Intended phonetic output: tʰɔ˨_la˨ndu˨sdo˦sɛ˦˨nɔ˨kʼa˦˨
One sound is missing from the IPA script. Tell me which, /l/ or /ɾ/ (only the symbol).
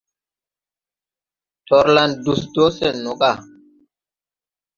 ɾ